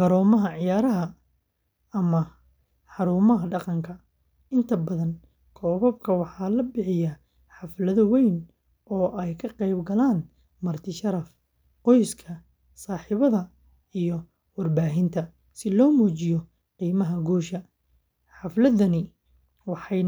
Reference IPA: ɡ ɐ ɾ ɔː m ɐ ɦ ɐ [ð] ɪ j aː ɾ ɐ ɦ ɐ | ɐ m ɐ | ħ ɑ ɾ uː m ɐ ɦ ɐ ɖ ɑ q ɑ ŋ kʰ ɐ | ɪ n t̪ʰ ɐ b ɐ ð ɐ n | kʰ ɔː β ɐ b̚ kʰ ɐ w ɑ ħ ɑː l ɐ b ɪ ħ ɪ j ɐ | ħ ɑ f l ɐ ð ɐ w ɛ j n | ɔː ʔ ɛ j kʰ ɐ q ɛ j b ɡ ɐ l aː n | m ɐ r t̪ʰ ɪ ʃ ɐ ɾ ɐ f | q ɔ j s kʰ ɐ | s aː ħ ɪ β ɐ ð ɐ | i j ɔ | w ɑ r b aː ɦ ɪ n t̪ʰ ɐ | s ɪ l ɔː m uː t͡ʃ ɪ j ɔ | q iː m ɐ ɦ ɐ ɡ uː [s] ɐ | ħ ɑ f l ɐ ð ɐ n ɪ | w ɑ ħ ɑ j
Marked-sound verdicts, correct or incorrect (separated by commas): incorrect, incorrect